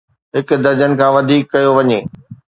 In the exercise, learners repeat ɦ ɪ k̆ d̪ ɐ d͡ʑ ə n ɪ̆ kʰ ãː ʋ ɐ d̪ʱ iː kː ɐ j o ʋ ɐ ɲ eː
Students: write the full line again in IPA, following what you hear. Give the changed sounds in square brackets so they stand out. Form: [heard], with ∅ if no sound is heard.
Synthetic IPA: ɦ ɪ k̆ d̪ ɐ d͡ʑ ə n ɪ̆ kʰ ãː ʋ ɐ d̪ʱ iː kː ɐ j o ʋ ɐ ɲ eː